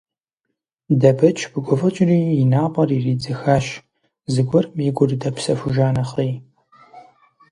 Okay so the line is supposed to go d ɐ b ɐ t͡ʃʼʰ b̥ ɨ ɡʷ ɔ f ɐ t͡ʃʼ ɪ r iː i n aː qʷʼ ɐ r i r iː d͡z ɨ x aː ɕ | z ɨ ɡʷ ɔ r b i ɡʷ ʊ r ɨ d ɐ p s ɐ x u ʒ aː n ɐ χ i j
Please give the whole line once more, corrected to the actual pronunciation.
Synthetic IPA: d ɐ b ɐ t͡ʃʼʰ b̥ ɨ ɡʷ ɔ f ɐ t͡ʃʼ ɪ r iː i n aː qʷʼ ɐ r i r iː d͡z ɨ x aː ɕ | z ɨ ɡʷ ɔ r m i ɡʷ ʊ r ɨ d ɐ p s ɐ f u ʒ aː n ɐ χ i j